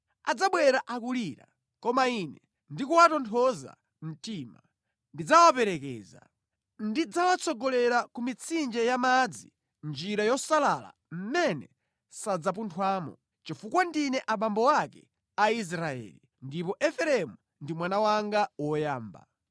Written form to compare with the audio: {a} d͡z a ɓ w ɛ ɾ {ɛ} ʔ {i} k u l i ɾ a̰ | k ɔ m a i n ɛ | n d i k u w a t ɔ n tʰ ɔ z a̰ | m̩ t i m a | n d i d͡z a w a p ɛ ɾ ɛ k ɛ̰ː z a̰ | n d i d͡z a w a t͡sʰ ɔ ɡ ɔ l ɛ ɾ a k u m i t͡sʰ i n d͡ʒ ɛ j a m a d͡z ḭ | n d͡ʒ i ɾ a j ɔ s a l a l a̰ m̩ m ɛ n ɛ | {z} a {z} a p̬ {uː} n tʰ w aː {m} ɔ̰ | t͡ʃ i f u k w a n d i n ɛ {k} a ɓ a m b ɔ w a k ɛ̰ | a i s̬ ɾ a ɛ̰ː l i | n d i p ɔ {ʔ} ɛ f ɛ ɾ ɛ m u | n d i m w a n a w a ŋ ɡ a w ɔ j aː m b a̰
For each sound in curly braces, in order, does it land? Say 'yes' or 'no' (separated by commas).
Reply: yes, no, no, no, no, no, yes, no, yes